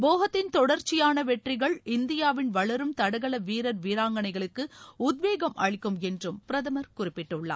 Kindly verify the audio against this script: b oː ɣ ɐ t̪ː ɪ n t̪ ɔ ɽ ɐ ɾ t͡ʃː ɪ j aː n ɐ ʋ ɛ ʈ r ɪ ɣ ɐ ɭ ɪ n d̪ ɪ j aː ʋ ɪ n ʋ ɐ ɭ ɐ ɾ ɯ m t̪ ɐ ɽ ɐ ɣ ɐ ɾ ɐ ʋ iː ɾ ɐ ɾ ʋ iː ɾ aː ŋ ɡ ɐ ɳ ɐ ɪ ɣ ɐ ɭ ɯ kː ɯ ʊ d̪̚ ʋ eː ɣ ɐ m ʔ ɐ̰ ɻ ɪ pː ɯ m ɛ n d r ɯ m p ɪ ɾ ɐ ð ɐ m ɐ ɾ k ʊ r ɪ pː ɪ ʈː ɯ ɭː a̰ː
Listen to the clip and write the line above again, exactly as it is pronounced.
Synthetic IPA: b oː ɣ ɐ t̪ː ɪ n t̪ ɔ ɽ ɐ ɾ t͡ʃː ɪ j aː n ɐ ʋ ɛ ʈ r ɪ ɣ ɐ ɭ ɪ n d̪ ɪ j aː ʋ ɪ n ʋ ɐ ɭ ɐ ɾ ɯ m t̪ ɐ ɽ ɐ ɣ ɐ ɭ ɐ ʋ iː ɾ ɐ ɾ ʋ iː ɾ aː ŋ ɡ ɐ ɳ ɐ ɪ ɣ ɐ ɭ ɯ kː ɯ ʊ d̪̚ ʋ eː ɣ ɐ m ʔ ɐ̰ ɻ ɪ kː ɯ m ɛ n d r ɯ m p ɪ ɾ ɐ ð ɐ m ɐ ɾ k ʊ r ɪ pː ɪ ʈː ɯ ɭː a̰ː

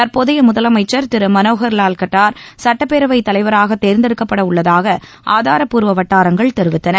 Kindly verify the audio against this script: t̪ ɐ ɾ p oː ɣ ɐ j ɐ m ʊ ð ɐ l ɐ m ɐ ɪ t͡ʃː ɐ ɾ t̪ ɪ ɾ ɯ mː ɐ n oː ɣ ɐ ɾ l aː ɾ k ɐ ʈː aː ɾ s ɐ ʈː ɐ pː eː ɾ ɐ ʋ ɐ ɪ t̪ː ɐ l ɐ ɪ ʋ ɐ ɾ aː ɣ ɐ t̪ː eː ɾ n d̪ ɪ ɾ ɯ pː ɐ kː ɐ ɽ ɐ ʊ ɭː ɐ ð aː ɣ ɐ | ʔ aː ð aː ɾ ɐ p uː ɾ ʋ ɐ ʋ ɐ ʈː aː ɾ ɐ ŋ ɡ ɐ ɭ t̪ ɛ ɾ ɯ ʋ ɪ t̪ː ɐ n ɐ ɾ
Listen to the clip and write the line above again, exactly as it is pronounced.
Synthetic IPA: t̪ ɐ ɾ p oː ð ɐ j ɐ m ʊ ð ɐ l ɐ m ɐ ɪ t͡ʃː ɐ ɾ t̪ ɪ ɾ ɯ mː ɐ n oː ɣ ɐ ɾ l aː l k ɐ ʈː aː ɾ s ɐ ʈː ɐ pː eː ɾ ɐ ʋ ɐ ɪ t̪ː ɐ l ɐ ɪ ʋ ɐ ɾ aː ɣ ɐ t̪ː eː ɾ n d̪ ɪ ɾ ɯ kː ɐ pː ɐ ɽ ɐ ʊ ɭː ɐ ð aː ɣ ɐ | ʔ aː ð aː ɾ ɐ p uː ɾ ʋ ɐ ʋ ɐ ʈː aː ɾ ɐ ŋ ɡ ɐ ɭ t̪ ɛ ɾ ɯ ʋ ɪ t̪ː ɐ n ɐ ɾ

